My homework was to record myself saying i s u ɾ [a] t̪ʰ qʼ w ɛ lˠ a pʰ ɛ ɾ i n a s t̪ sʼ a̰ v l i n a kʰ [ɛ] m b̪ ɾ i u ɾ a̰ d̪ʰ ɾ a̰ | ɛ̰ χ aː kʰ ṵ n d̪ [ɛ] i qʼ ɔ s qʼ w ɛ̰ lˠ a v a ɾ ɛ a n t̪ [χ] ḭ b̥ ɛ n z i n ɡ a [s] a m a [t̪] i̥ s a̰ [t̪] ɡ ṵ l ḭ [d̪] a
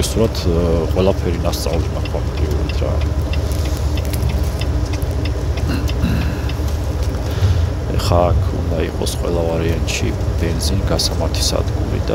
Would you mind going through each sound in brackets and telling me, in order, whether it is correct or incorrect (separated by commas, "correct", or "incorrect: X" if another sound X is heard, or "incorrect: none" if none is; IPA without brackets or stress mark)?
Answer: correct, incorrect: a, incorrect: a, incorrect: ʃ, correct, incorrect: t̪ʰ, incorrect: d̪, correct